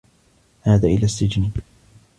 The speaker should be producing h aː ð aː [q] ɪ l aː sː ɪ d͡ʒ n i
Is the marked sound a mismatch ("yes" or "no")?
yes